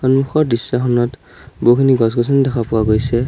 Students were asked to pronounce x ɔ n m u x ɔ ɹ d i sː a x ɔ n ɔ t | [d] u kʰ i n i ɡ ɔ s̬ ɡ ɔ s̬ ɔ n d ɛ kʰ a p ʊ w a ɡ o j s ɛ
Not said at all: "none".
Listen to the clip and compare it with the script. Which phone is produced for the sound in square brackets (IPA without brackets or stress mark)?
b